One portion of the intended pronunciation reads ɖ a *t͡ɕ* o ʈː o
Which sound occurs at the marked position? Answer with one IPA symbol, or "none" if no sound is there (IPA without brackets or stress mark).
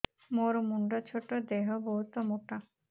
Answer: t͡ɕʰ